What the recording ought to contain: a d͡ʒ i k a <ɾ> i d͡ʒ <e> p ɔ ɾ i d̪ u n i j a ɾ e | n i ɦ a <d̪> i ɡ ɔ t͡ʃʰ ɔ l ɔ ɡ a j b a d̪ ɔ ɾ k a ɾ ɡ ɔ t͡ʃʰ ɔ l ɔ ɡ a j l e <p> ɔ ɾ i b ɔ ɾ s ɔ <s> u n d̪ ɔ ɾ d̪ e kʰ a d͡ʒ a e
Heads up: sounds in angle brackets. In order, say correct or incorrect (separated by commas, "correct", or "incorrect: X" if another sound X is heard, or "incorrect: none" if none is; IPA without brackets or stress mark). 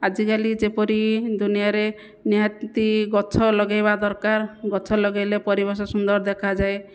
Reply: incorrect: l, correct, incorrect: t̪, correct, correct